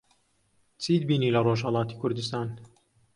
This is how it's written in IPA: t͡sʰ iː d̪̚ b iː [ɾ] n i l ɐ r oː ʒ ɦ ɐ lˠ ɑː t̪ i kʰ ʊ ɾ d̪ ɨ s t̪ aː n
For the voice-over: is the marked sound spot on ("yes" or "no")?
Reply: no